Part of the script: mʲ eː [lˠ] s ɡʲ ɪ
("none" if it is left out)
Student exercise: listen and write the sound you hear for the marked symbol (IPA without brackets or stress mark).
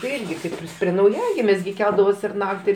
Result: none